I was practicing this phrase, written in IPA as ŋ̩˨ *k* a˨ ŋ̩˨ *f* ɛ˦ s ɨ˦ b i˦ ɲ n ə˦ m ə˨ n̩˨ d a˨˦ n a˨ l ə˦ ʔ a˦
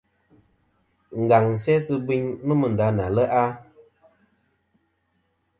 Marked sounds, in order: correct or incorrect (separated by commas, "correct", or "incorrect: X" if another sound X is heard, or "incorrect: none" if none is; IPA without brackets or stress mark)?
incorrect: ɡ, incorrect: s